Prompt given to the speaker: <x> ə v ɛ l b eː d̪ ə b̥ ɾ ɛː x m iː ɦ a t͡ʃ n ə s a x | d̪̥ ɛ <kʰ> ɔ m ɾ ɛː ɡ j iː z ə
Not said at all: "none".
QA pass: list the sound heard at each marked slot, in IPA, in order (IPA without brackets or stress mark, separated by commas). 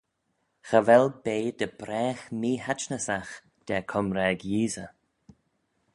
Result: x, kʰ